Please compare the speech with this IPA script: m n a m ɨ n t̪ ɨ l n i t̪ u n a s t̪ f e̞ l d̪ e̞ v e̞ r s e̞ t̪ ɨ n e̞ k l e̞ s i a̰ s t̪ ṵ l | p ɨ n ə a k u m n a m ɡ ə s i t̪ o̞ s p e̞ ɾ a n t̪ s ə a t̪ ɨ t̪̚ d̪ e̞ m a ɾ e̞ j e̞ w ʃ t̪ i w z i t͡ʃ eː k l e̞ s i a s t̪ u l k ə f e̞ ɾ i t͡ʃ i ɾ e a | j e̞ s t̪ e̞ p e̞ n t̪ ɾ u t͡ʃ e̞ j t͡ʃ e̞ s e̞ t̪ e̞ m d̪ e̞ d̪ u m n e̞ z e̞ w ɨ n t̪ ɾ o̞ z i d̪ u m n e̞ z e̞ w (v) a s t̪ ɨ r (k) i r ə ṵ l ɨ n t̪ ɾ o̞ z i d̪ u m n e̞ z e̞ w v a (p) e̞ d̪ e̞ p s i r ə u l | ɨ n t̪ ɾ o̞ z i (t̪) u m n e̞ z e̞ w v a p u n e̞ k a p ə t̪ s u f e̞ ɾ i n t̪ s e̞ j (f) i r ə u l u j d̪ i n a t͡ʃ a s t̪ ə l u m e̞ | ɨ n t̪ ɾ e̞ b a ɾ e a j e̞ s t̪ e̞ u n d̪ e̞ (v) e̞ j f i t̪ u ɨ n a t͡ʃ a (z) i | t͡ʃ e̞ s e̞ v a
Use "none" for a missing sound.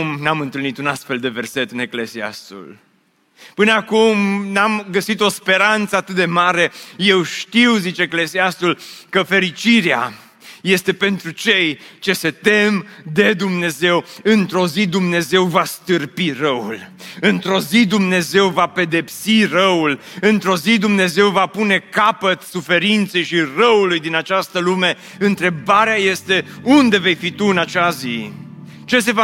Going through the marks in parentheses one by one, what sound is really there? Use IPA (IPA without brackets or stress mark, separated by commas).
v, p, p, d̪, ʃ, v, z